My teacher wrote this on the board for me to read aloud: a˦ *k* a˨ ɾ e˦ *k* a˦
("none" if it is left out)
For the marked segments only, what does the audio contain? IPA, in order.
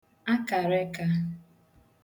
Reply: k, k

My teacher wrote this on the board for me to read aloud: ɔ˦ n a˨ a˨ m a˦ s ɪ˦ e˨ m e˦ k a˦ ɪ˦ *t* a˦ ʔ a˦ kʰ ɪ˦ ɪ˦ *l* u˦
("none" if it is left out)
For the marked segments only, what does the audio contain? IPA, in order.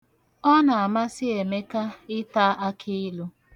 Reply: t, l

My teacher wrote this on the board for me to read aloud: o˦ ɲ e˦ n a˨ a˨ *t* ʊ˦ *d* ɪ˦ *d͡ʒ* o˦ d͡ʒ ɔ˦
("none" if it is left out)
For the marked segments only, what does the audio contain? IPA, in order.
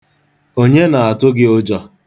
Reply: t, ɡ, none

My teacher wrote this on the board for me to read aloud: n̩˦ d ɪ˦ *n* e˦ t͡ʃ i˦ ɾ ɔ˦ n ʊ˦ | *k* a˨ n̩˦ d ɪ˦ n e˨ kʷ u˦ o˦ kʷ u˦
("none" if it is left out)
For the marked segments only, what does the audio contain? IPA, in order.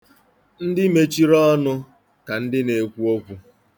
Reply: m, k

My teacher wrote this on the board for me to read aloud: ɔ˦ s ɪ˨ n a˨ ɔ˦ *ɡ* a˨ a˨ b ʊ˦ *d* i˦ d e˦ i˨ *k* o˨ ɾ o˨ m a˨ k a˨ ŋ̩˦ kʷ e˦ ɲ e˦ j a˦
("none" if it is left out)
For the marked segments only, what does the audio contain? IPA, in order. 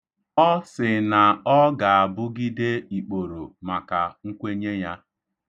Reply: ɡ, ɡ, k͡p

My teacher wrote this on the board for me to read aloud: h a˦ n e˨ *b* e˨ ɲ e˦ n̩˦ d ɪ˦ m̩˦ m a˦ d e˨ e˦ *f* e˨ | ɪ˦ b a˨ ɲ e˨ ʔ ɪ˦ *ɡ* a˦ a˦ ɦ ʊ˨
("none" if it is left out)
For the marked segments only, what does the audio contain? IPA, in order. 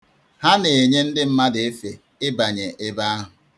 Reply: none, f, b

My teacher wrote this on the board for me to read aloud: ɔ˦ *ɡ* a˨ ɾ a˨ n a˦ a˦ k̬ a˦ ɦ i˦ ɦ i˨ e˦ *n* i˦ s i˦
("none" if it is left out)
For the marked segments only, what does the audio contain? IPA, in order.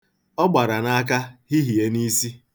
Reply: ɡ͡b, n

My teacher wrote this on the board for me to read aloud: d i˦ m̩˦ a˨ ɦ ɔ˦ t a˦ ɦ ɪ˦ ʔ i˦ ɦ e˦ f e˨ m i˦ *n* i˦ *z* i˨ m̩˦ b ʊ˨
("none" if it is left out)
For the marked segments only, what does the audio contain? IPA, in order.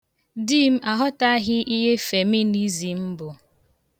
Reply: n, z

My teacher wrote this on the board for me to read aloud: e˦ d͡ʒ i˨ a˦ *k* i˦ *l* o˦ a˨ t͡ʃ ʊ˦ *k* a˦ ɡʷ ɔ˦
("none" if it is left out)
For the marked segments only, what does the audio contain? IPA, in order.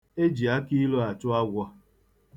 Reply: k, l, none

